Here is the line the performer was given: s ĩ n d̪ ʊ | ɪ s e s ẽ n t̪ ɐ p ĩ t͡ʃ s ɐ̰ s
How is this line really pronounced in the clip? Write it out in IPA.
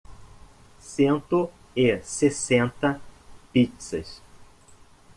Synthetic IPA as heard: s ẽ n t̪ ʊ | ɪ s e s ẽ n t̪ ɐ p i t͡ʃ s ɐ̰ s